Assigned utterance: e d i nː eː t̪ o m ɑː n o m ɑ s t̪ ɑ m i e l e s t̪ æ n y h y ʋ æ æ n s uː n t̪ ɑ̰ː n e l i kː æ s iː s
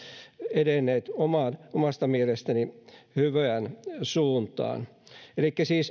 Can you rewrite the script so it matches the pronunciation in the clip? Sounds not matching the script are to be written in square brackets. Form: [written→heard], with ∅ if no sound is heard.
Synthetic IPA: e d [i→e] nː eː t̪ o m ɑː n o m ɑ s t̪ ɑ m i e l e s t̪ æ n [y→i] h y ʋ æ æ n s uː n t̪ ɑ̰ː n e l i kː æ s iː s